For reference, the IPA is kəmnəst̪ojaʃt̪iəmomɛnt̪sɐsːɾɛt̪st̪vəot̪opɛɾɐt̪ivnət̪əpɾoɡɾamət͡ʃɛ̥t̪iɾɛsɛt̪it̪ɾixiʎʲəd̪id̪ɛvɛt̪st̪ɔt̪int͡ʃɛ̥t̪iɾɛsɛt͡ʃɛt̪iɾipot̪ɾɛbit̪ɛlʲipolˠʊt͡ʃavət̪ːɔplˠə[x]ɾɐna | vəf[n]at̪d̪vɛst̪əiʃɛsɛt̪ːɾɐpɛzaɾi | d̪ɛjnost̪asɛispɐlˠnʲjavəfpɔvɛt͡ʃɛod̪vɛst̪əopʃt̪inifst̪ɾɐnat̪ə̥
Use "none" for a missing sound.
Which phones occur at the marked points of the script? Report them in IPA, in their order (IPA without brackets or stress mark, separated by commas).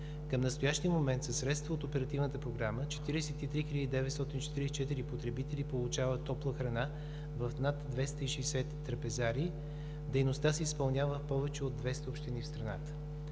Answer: x, n